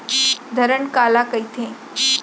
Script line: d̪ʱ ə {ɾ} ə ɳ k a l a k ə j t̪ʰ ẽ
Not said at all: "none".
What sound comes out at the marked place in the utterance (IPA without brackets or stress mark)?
ɾ